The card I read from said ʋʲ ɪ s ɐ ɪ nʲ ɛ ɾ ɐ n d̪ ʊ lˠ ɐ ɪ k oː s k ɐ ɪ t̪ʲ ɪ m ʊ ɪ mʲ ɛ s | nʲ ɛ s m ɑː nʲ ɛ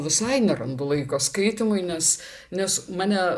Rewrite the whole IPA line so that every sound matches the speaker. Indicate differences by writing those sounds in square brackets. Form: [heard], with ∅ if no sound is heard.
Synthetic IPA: ʋʲ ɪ s ɐ ɪ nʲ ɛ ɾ ɐ n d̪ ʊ lˠ ɐ ɪ k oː s k ɐ ɪ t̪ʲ ɪ m ʊ ɪ [nʲ] ɛ s | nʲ ɛ s m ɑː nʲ ɛ